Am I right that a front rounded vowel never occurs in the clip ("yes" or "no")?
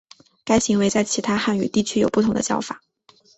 no